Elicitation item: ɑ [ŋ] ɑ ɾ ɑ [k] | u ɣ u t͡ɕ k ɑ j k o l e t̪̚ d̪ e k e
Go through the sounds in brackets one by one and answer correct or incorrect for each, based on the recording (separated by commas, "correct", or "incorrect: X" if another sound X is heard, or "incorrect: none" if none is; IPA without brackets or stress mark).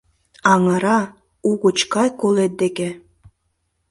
correct, incorrect: none